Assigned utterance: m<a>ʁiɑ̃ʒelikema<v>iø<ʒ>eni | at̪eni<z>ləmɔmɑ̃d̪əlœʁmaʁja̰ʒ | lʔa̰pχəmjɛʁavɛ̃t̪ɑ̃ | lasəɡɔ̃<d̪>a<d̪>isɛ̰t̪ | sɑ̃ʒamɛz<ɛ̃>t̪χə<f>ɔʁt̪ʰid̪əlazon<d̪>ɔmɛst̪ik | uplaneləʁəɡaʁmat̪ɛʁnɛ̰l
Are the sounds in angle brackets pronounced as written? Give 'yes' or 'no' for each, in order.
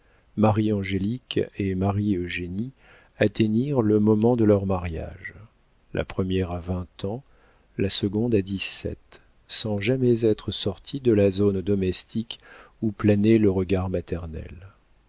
yes, no, yes, no, yes, yes, no, no, yes

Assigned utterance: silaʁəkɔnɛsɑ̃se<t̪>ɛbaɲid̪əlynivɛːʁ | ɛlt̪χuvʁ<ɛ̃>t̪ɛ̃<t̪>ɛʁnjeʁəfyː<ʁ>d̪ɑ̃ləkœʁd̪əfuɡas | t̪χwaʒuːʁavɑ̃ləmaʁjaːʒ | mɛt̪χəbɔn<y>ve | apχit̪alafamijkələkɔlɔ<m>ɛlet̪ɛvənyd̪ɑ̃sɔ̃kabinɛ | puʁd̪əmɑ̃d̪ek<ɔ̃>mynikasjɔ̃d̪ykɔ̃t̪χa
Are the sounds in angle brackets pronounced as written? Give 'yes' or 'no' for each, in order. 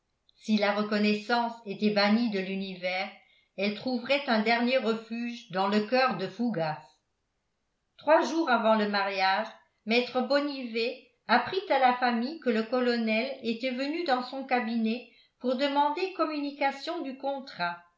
yes, no, no, no, no, no, no

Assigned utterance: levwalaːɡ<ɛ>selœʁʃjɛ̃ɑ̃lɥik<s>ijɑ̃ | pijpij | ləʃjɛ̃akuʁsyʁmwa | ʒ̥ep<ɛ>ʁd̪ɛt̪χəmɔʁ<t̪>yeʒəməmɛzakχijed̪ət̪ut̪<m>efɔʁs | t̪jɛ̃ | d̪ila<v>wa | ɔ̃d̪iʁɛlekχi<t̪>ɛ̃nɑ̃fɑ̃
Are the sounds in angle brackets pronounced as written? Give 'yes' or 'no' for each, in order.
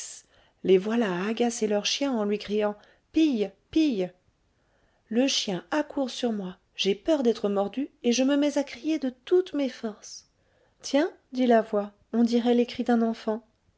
no, no, no, no, yes, yes, no

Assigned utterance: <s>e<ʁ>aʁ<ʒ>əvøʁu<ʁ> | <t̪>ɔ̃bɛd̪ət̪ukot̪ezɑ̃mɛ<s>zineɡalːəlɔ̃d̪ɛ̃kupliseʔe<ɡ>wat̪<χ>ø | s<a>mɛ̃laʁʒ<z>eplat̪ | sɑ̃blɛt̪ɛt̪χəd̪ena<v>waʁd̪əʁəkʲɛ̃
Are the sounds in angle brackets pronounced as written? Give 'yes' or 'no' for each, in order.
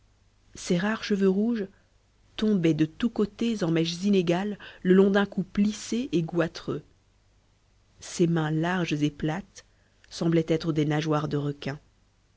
yes, yes, no, no, yes, no, yes, yes, no, yes, no

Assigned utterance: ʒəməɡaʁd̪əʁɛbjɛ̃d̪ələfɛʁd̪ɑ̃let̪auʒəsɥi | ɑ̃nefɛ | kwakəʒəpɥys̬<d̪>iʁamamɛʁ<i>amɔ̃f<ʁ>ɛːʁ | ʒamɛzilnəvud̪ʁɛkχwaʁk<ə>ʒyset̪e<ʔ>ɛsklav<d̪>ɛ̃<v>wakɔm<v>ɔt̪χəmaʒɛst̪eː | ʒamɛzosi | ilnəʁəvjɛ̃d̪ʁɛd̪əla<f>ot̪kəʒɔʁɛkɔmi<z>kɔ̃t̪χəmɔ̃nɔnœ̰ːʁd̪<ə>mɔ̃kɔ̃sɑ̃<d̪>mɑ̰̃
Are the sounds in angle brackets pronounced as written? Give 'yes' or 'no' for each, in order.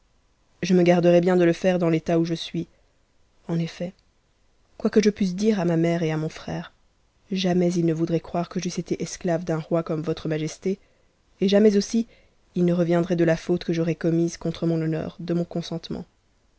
yes, no, no, yes, yes, yes, no, yes, yes, yes, yes, no

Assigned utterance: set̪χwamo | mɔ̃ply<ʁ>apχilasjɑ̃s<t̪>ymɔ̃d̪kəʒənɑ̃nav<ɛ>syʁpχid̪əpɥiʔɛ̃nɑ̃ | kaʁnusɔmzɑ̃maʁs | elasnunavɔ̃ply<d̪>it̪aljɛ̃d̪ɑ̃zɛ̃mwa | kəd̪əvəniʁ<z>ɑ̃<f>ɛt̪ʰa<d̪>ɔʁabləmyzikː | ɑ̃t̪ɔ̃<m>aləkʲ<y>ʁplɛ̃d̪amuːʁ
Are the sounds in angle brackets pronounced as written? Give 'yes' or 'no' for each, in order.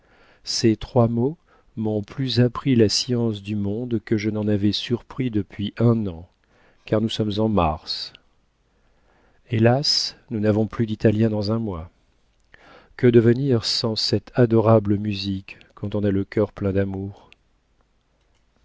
no, no, yes, yes, no, no, yes, no, no

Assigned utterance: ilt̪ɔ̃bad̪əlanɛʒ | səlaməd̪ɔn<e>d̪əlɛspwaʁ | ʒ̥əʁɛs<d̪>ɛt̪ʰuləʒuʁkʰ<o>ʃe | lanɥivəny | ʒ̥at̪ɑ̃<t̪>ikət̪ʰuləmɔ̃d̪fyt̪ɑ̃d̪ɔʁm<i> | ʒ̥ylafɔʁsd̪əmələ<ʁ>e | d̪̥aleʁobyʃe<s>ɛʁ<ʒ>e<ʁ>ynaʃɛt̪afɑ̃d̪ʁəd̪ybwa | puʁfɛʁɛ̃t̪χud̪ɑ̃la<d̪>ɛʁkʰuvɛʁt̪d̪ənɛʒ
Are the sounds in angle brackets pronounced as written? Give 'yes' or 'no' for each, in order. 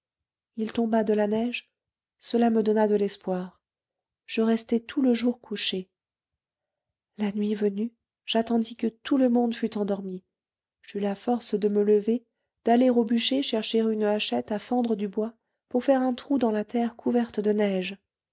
no, no, no, no, yes, no, no, no, yes, no

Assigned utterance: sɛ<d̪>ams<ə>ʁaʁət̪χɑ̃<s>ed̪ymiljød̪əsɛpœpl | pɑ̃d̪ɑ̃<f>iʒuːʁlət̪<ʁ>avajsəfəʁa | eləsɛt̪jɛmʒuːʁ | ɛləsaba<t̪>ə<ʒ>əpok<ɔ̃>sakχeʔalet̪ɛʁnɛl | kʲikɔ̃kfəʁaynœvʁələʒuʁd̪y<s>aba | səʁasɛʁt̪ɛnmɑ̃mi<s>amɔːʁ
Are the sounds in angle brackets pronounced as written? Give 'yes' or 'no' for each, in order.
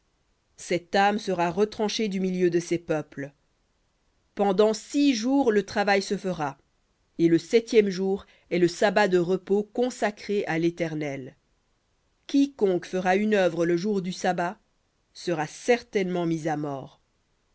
no, yes, no, no, no, no, no, yes, yes, no

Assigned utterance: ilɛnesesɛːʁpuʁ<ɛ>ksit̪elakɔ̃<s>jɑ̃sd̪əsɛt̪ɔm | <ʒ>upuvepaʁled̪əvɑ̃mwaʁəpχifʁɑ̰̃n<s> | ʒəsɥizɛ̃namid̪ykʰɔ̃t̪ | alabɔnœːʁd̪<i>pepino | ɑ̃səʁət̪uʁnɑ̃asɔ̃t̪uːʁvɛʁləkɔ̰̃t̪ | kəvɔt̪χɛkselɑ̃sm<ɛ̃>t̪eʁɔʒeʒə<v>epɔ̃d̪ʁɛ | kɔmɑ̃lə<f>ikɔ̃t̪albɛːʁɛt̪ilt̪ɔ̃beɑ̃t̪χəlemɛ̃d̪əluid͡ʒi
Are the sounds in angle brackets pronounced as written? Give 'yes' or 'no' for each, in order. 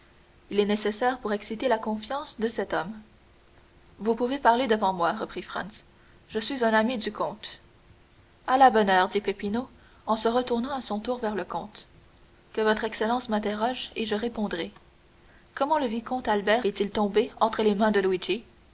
yes, no, no, yes, yes, yes, no, no

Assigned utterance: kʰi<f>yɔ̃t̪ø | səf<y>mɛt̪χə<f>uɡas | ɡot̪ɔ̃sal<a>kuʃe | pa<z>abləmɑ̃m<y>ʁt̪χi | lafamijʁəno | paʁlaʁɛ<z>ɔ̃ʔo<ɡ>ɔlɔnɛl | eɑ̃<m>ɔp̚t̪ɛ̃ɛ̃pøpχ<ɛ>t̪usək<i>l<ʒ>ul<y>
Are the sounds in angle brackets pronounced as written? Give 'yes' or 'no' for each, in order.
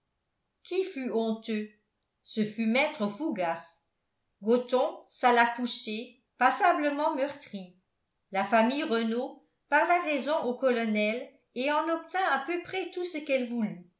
yes, yes, yes, yes, no, no, yes, no, no, yes, no, no, yes

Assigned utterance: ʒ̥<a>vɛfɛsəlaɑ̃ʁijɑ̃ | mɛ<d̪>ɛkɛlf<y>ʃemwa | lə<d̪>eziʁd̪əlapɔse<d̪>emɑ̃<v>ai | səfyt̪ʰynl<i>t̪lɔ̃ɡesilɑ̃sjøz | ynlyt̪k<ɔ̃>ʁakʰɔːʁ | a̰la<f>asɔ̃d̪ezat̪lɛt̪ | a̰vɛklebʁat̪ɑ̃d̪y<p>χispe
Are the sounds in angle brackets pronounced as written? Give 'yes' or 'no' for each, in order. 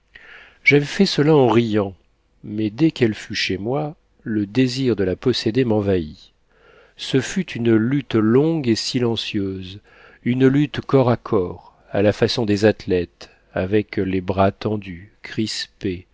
yes, yes, yes, yes, yes, yes, no, no, yes, no

